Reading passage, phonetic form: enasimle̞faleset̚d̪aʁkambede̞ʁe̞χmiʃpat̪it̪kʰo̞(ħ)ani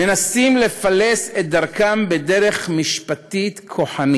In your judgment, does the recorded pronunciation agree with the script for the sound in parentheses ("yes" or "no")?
yes